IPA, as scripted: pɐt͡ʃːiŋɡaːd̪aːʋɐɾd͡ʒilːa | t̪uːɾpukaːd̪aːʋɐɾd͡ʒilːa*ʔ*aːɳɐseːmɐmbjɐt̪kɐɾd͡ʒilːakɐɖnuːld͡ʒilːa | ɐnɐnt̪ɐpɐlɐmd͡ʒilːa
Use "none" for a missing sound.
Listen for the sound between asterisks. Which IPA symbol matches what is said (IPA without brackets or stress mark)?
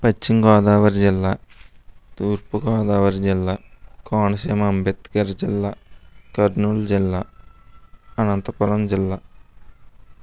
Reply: k